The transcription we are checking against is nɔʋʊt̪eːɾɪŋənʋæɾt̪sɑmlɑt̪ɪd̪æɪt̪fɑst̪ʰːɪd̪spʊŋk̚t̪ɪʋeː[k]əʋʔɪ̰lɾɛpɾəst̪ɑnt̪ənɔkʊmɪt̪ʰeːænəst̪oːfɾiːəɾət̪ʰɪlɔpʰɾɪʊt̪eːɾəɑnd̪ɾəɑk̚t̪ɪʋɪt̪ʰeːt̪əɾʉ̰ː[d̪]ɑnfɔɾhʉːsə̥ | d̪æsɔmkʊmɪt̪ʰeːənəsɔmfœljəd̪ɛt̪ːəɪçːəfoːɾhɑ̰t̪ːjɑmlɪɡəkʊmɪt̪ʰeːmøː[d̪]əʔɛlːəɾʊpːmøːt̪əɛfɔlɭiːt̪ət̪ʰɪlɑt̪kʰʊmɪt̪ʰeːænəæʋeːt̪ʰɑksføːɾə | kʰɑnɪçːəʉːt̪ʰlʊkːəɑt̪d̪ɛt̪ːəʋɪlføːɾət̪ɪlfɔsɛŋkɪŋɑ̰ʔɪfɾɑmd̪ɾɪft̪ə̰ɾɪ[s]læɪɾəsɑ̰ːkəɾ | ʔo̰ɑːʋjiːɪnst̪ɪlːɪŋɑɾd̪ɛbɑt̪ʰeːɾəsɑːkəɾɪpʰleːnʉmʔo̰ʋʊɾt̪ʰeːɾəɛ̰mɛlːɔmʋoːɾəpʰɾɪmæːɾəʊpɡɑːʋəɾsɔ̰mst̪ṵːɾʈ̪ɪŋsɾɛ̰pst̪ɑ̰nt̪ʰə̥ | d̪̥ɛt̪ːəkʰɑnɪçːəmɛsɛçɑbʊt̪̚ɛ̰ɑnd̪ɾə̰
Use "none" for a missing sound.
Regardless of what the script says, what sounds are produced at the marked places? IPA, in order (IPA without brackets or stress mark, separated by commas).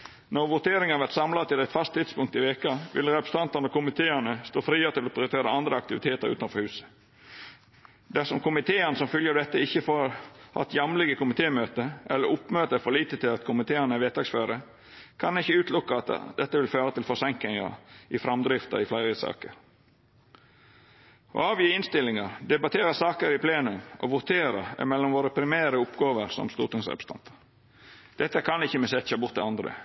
k, t̪, t̪, f